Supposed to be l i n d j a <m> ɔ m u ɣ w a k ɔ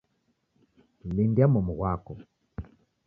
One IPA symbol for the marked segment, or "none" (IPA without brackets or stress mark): m